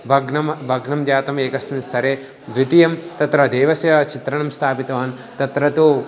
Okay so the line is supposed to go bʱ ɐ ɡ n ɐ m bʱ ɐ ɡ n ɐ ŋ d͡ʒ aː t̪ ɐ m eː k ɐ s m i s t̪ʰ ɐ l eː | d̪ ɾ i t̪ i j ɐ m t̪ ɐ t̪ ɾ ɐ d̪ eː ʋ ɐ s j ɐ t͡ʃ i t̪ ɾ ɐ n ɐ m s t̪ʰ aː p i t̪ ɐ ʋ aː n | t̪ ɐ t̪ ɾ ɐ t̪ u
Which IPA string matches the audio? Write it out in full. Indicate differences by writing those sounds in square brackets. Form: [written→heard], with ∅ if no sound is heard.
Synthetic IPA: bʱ ɐ ɡ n ɐ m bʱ ɐ ɡ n ɐ [ŋ→m] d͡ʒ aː t̪ ɐ m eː k ɐ s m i s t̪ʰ ɐ [l→ɾ] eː | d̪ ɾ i t̪ i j ɐ m t̪ ɐ t̪ ɾ ɐ d̪ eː ʋ ɐ s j ɐ t͡ʃ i t̪ ɾ ɐ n ɐ m s t̪ʰ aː p i t̪ ɐ ʋ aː n | t̪ ɐ t̪ ɾ ɐ t̪ u